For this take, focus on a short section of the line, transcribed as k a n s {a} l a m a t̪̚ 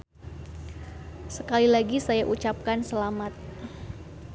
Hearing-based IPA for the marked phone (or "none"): ə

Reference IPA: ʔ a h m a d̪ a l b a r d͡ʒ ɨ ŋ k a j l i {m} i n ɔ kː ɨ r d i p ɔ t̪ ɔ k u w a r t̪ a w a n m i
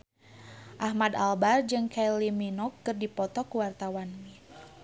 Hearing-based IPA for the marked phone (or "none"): m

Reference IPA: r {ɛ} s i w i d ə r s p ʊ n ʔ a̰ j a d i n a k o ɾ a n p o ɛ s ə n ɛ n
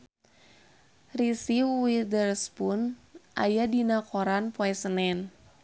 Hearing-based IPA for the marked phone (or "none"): i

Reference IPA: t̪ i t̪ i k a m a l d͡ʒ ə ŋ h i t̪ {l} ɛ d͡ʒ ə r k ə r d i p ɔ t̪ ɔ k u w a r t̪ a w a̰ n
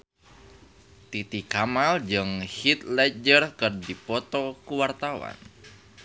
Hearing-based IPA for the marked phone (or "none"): l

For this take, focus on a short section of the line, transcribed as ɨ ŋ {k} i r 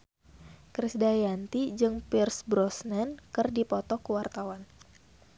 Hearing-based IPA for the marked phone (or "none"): p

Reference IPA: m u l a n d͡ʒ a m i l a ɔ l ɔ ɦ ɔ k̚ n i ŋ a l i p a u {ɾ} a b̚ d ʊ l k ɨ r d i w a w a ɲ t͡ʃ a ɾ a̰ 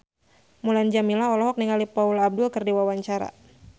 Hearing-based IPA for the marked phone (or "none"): l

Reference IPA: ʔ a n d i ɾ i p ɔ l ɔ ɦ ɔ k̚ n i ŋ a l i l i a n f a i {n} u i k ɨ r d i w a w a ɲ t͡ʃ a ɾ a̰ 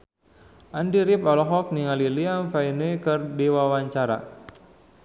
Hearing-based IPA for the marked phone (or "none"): n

